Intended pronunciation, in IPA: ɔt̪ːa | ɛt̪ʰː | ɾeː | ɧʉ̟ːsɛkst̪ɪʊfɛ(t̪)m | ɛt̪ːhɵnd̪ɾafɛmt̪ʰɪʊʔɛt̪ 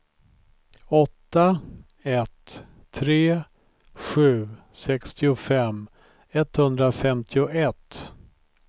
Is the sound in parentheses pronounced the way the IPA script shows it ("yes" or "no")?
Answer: no